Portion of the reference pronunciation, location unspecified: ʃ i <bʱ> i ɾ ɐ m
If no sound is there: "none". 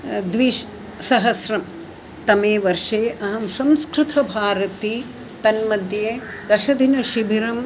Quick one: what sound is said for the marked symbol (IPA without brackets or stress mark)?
bʱ